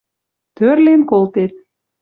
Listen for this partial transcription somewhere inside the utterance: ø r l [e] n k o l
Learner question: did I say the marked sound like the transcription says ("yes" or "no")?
yes